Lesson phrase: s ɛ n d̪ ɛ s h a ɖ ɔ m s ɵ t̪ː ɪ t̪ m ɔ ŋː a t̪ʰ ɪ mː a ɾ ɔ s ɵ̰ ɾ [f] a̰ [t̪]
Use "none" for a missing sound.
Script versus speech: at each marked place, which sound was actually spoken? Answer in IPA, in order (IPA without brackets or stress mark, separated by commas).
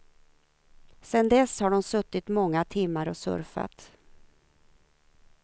f, t̪